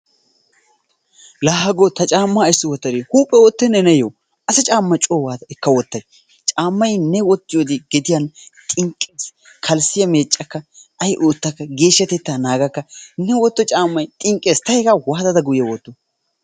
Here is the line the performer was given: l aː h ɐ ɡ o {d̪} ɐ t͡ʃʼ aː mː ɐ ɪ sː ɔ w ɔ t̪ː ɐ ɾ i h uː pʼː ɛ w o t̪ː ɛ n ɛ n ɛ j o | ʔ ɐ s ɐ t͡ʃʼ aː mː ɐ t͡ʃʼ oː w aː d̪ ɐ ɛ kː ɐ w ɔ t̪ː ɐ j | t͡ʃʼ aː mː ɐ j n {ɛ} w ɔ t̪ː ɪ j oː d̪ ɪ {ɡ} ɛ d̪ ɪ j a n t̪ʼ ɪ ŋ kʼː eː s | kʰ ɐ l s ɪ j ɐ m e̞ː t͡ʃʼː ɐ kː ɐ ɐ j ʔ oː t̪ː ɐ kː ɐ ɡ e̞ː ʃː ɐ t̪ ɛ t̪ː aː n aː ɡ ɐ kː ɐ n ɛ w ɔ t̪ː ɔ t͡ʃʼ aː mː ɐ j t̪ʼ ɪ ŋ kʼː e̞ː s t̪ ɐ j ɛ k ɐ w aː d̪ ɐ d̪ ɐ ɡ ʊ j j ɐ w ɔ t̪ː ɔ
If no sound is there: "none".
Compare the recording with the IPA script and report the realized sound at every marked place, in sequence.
t̪, ɛ, ɡ

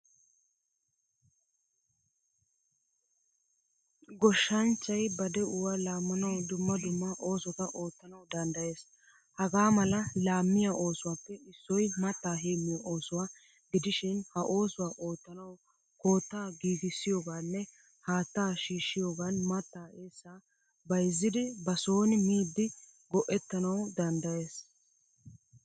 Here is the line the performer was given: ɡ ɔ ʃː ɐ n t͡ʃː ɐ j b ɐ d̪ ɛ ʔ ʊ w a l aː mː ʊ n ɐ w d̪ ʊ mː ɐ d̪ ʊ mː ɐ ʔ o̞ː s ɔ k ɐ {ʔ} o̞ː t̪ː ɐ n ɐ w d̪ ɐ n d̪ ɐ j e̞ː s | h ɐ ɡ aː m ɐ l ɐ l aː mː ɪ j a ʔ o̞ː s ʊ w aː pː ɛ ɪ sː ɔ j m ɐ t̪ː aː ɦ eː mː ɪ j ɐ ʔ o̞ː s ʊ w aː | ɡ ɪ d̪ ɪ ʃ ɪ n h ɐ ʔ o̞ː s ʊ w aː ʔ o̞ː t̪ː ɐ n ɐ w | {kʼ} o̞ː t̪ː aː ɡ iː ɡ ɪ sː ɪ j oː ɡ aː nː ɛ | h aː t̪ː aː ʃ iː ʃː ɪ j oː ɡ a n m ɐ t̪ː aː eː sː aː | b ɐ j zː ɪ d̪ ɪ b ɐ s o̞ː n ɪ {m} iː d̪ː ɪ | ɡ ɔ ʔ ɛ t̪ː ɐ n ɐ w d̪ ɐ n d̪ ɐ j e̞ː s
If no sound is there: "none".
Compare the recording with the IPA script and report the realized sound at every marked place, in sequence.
ʔ, k, m

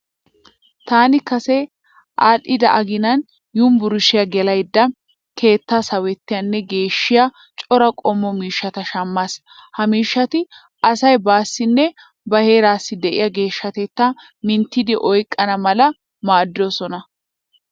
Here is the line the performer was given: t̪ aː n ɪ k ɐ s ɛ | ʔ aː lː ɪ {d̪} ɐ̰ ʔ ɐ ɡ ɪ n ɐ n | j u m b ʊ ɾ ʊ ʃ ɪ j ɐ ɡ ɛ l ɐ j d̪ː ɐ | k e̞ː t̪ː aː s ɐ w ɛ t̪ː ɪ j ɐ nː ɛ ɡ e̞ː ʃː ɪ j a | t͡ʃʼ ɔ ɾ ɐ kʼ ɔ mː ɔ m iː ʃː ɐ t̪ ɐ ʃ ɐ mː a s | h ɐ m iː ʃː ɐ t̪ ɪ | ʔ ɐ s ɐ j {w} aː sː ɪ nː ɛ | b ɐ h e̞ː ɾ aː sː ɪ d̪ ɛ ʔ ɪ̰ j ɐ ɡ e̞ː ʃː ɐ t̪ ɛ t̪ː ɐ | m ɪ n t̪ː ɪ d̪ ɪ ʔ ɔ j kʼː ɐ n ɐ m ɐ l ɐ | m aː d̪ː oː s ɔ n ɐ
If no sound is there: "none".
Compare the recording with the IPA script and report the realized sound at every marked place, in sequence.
d̪, b

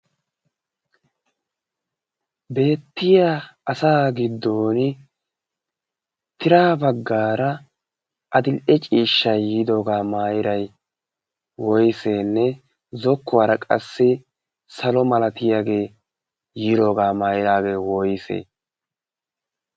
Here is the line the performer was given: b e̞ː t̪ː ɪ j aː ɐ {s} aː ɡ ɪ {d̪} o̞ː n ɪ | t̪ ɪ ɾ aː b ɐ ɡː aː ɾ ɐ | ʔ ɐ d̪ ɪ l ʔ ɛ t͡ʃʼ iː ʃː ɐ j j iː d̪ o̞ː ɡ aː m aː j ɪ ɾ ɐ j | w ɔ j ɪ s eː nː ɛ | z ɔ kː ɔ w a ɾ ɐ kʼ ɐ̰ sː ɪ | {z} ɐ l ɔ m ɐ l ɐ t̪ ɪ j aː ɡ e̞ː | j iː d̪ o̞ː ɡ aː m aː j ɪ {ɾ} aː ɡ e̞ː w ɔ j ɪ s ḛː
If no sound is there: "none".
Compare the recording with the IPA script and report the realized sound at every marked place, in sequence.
s, d̪ː, s, ɾ

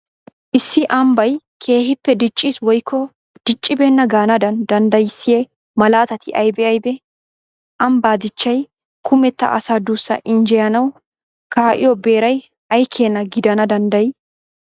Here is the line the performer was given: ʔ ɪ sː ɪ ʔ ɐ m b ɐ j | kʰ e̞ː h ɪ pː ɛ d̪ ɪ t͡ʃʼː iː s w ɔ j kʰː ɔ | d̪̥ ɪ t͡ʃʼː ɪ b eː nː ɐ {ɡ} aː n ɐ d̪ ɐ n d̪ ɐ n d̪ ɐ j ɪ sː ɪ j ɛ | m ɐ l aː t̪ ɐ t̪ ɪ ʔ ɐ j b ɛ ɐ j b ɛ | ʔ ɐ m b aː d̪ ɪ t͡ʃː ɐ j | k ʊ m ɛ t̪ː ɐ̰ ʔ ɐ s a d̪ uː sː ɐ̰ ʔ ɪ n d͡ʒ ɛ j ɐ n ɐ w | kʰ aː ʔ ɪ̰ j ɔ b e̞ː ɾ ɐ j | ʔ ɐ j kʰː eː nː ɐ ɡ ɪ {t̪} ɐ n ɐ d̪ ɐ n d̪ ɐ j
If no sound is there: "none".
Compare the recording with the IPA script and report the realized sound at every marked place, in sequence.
ɡ, d̪

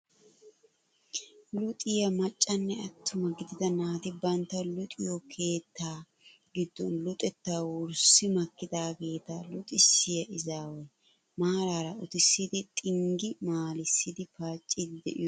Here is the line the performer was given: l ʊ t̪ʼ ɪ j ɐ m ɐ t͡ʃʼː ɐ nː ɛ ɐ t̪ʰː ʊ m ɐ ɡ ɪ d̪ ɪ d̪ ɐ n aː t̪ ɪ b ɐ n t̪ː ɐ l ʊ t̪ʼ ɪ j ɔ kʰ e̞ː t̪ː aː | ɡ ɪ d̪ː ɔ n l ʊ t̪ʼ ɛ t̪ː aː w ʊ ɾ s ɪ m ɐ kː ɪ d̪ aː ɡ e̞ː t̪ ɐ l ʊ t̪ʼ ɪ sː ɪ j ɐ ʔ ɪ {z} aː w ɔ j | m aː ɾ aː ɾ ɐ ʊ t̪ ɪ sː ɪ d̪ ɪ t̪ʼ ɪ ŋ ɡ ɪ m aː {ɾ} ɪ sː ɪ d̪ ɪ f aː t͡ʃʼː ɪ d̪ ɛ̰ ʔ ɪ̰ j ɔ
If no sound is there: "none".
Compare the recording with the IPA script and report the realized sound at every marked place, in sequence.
z, l

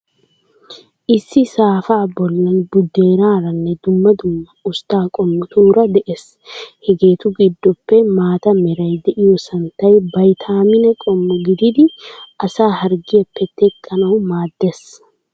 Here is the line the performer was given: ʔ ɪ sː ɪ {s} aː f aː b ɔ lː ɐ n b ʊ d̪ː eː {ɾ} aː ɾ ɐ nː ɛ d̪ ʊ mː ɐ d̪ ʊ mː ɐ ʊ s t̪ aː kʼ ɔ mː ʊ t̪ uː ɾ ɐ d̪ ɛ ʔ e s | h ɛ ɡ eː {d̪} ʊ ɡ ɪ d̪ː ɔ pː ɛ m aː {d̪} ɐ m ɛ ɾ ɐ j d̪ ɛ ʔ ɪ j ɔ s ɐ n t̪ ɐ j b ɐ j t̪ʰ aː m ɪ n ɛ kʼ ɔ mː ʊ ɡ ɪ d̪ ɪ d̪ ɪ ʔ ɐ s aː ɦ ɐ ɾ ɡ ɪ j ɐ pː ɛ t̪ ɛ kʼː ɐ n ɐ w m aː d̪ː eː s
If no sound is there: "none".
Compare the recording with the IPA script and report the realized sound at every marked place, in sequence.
s, ɾ, t̪, t̪

